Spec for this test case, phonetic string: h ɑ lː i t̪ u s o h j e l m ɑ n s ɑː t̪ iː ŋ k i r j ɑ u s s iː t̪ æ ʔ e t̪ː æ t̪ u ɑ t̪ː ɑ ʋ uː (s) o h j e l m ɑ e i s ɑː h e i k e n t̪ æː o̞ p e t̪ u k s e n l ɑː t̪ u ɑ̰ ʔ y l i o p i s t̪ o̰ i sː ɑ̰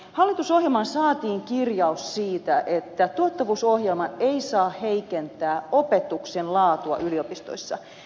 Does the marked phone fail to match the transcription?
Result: no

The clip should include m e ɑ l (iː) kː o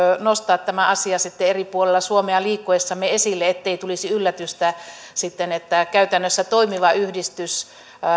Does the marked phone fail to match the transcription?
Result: no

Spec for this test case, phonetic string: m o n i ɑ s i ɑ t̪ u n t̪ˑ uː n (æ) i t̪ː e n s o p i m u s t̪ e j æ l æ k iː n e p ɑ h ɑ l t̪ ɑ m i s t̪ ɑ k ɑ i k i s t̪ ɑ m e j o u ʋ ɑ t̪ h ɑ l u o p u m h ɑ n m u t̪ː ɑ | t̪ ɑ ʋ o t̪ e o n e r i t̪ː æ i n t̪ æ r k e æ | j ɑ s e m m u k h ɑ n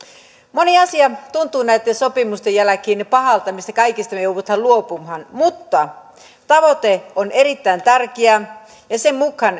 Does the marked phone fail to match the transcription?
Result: no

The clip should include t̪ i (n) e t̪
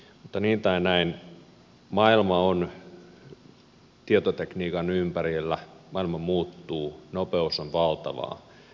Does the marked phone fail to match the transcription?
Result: yes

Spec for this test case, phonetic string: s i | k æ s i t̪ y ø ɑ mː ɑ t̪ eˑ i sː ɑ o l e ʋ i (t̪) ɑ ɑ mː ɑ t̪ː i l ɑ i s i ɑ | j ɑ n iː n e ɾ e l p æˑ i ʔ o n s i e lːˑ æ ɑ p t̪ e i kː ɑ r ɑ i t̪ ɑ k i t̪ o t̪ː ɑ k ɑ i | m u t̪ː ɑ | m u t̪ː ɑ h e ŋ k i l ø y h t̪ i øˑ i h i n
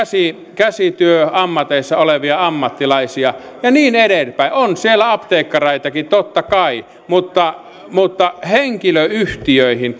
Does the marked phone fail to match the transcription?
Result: yes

